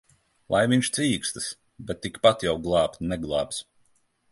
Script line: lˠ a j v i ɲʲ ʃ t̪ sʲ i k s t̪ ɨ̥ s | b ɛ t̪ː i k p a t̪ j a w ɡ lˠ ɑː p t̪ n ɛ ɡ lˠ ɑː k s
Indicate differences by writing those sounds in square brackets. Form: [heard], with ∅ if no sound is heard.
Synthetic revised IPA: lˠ a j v i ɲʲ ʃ t̪ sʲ [iː] k s t̪ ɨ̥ s | b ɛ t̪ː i k p a t̪ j a w ɡ lˠ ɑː p t̪ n ɛ ɡ lˠ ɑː [p] s